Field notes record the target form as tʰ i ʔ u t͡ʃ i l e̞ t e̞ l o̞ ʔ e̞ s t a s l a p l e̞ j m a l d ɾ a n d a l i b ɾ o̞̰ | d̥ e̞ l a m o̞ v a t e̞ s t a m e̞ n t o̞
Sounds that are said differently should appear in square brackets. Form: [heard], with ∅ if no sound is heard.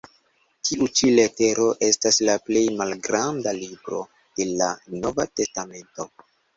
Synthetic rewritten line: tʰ i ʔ u t͡ʃ i l e̞ t e̞ [ɾ] o̞ ʔ e̞ s t a s l a p l e̞ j m a l [ɡ] ɾ a n d a l i b ɾ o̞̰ | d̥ e̞ l a [n] o̞ v a t e̞ s t a m e̞ n t o̞